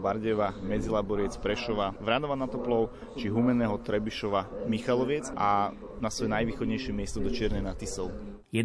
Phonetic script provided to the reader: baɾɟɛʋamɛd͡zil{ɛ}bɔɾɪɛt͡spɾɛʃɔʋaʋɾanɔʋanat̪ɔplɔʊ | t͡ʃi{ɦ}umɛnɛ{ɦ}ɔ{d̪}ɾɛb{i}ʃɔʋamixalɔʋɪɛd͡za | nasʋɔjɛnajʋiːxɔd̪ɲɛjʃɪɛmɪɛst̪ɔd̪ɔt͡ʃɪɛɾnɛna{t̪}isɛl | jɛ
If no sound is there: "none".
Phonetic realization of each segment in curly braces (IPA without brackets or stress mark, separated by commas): a, ɦ, ɦ, t̪, i, t̪